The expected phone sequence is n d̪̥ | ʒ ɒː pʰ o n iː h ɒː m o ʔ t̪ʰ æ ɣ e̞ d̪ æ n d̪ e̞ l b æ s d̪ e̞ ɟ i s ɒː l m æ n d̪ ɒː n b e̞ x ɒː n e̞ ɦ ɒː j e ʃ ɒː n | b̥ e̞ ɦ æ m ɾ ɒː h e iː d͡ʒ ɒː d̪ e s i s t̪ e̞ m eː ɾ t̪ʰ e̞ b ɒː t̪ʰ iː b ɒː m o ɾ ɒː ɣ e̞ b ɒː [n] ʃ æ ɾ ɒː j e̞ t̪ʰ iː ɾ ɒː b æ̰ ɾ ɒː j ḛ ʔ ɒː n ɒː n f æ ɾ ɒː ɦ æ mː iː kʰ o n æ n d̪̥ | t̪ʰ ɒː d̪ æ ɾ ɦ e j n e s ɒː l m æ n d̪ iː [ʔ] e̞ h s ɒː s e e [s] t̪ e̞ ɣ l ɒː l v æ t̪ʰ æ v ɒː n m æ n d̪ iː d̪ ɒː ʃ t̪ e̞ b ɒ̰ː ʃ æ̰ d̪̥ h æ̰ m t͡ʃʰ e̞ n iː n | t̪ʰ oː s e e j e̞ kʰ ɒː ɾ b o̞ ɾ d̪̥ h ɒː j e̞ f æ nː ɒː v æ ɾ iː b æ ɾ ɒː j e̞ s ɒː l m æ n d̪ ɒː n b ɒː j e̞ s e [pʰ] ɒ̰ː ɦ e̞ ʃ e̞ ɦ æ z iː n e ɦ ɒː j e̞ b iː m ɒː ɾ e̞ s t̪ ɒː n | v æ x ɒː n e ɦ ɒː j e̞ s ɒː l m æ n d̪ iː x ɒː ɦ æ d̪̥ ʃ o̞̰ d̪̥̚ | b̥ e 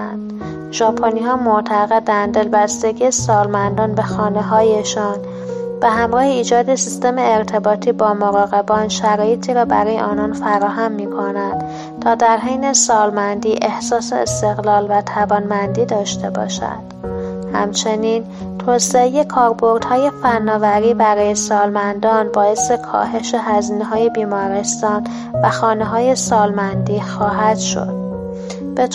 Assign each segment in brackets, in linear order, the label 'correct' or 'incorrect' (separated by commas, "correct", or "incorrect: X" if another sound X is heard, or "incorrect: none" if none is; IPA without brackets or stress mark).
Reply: correct, correct, correct, incorrect: kʰ